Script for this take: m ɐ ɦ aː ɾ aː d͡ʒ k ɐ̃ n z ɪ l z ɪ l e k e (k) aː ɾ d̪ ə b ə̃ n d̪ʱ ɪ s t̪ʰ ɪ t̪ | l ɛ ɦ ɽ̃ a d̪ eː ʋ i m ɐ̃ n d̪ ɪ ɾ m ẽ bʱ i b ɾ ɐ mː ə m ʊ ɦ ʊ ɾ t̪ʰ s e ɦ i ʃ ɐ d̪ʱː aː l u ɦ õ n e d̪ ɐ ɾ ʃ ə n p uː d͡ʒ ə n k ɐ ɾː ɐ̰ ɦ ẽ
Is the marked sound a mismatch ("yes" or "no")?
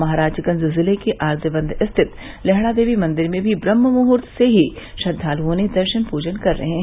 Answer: yes